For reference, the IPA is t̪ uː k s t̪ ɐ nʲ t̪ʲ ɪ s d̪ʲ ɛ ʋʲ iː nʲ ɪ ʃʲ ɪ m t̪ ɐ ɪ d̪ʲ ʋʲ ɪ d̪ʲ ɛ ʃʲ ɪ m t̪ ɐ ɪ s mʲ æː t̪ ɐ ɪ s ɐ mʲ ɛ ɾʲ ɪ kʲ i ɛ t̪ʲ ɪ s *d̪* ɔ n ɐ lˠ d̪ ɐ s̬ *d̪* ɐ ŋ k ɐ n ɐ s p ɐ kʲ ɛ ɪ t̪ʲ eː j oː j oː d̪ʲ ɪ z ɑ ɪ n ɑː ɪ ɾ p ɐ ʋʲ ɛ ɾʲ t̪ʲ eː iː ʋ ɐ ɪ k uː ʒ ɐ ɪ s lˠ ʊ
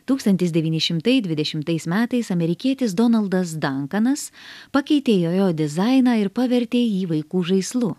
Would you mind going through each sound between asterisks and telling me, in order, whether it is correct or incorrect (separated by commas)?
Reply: correct, correct